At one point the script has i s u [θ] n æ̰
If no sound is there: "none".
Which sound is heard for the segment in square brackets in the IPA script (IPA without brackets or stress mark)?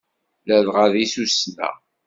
s